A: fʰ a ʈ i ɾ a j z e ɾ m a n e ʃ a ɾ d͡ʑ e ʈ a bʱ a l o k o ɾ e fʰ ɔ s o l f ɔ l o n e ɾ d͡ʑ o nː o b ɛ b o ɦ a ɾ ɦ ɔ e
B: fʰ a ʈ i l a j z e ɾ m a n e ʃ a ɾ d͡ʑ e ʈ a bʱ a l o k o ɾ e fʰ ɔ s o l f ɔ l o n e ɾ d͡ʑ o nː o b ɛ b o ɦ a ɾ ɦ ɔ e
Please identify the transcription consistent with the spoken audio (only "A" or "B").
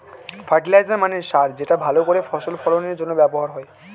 B